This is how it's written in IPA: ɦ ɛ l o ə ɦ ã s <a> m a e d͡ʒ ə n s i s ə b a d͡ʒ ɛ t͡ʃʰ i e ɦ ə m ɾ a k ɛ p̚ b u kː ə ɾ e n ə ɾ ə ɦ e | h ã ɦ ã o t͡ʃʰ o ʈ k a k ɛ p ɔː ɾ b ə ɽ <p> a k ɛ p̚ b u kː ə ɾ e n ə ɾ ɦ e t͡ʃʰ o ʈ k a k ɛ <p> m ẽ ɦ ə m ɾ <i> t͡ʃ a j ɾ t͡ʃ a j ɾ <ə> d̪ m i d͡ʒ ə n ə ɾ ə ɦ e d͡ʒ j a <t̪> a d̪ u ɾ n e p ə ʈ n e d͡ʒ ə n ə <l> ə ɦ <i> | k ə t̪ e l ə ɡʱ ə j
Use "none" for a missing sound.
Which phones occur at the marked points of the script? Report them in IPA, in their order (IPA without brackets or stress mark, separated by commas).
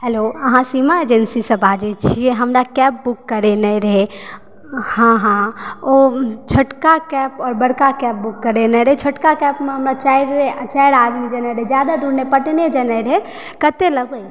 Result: i, k, p, a, a, d̪, ɾ, e